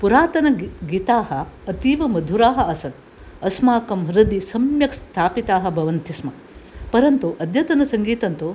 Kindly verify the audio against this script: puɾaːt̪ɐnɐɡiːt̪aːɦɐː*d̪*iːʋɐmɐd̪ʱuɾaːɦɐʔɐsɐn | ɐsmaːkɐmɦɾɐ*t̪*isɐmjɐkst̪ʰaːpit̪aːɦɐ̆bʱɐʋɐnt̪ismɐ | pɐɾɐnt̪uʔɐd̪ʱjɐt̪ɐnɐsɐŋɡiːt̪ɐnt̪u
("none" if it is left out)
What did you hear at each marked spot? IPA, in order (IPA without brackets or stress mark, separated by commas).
t̪, d̪